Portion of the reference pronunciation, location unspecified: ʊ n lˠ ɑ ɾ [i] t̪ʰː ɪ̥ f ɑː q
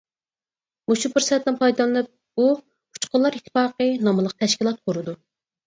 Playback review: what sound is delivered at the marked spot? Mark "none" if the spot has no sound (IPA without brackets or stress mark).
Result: i